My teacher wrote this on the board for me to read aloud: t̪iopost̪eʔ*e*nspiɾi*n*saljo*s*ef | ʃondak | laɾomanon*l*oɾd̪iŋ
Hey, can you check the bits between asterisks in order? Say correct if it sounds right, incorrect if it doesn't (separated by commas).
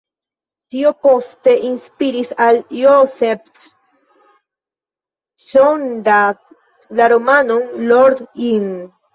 incorrect, incorrect, correct, correct